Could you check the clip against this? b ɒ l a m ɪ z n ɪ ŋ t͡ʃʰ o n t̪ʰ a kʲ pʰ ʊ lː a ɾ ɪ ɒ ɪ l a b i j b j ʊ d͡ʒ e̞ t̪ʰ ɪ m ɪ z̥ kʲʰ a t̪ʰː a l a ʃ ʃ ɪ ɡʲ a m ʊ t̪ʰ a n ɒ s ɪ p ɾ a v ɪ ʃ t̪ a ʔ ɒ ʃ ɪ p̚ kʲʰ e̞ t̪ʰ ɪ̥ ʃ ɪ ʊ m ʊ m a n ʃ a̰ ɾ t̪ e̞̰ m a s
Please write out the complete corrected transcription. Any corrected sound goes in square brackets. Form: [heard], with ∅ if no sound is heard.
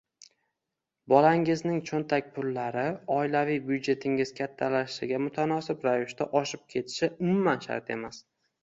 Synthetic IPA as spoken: b ɒ l a [ŋ] ɪ z n ɪ ŋ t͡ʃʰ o n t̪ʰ a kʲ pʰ ʊ lː a ɾ ɪ ɒ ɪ l a [v] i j b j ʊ d͡ʒ e̞ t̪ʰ ɪ [ŋ] ɪ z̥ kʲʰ a t̪ʰː a l a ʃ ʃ ɪ ɡʲ a m ʊ t̪ʰ a n ɒ s ɪ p ɾ a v ɪ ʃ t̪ a ʔ ɒ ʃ ɪ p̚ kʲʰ e̞ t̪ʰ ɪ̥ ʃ ɪ ʊ m ʊ m a n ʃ a̰ ɾ t̪ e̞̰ m a s